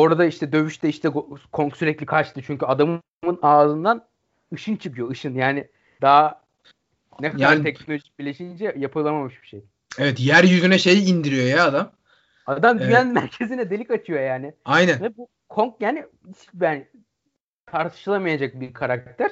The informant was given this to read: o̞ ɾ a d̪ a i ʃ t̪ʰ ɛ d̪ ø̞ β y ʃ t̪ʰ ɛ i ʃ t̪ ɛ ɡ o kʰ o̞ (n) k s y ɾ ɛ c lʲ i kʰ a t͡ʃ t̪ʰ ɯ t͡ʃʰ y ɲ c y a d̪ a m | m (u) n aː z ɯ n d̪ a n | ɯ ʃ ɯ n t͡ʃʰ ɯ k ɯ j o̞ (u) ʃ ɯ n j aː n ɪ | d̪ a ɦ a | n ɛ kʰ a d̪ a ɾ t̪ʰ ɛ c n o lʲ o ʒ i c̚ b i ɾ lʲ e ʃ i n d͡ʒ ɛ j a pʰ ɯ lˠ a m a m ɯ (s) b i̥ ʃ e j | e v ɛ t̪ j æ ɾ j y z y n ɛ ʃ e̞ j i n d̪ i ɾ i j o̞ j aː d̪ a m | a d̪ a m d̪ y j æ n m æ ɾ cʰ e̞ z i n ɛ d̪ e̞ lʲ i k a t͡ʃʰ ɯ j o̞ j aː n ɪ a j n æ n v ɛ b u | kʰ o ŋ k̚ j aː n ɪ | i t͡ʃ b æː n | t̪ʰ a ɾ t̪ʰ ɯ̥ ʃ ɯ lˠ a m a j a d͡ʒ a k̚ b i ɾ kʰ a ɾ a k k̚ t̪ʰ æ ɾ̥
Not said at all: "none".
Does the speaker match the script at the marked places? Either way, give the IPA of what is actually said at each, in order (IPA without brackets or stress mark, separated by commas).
ŋ, ɯ, ɯ, ʃ